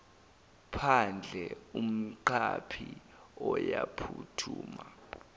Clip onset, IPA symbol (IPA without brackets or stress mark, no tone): pʰ